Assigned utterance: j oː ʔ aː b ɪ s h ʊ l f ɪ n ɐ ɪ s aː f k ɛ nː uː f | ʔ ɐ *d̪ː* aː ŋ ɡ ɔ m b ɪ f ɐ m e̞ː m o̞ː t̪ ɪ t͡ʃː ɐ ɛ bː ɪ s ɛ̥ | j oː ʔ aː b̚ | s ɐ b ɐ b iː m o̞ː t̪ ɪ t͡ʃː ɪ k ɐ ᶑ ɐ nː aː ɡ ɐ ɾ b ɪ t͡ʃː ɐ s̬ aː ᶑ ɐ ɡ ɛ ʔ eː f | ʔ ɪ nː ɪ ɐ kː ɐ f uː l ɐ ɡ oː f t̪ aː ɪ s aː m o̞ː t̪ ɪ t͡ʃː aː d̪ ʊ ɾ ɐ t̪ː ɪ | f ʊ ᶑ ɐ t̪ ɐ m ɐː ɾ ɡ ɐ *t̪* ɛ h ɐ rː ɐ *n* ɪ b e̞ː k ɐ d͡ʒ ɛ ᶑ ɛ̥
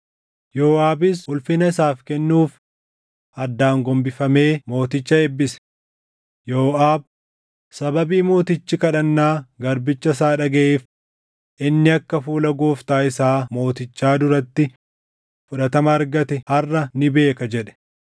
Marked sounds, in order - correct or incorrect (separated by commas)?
correct, correct, correct